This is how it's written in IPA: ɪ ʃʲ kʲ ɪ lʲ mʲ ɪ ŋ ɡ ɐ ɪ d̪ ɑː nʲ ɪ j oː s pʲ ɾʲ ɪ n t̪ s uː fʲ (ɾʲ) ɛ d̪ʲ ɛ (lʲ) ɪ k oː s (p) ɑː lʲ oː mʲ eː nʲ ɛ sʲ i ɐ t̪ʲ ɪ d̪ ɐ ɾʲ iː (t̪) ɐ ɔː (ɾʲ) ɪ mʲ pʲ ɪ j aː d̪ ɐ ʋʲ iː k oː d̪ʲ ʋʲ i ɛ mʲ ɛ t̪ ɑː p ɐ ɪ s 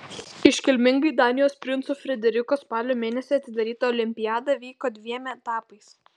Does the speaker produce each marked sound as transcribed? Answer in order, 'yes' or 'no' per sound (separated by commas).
yes, no, yes, yes, no